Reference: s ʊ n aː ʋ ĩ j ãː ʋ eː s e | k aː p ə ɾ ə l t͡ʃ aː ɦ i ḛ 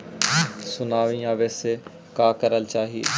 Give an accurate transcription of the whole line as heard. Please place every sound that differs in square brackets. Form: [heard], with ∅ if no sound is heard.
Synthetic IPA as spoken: s ʊ n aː ʋ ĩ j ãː ʋ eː s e | k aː [k] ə ɾ ə l t͡ʃ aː ɦ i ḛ